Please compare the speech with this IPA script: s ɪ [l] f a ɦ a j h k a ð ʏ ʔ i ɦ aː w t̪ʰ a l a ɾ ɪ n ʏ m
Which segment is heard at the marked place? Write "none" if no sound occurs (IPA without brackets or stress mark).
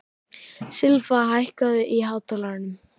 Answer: l